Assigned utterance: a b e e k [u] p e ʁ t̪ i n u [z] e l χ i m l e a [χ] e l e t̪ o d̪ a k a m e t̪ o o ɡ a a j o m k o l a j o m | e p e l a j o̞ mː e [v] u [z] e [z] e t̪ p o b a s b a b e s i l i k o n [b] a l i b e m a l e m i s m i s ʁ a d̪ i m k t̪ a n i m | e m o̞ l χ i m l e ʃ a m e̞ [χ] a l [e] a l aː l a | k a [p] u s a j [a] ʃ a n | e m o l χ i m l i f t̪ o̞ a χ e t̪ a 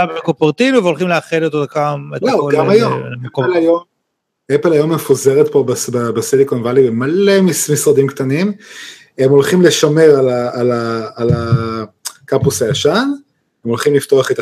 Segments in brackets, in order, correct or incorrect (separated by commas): incorrect, incorrect, correct, incorrect, correct, incorrect, incorrect, incorrect, incorrect, correct, correct